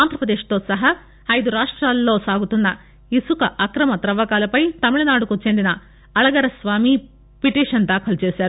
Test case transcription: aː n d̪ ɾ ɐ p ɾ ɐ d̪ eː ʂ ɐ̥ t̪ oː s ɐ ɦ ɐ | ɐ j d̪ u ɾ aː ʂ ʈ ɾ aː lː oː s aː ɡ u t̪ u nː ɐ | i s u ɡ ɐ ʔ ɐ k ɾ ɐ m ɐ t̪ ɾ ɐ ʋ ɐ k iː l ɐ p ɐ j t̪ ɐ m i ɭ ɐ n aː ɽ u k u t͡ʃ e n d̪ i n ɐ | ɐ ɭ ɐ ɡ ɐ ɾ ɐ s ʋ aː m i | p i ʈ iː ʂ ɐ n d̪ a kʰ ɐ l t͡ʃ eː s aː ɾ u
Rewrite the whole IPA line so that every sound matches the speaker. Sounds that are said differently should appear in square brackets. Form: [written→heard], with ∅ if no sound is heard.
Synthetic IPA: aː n d̪ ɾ ɐ p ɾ ɐ d̪ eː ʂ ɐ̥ t̪ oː s ɐ ɦ ɐ | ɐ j d̪ u ɾ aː ʂ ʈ ɾ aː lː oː s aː ɡ u t̪ u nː ɐ | i s u [ɡ→k] ɐ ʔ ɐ k ɾ ɐ m ɐ t̪ ɾ ɐ ʋ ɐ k [iː→aː] l ɐ p ɐ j t̪ ɐ m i ɭ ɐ n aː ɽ u k u t͡ʃ e n d̪ i n ɐ | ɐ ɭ ɐ ɡ ɐ ɾ ɐ s ʋ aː m i | p i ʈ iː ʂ ɐ n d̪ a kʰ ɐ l t͡ʃ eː s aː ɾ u